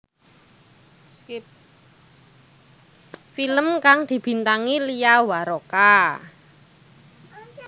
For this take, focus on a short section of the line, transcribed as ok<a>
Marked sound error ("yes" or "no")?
no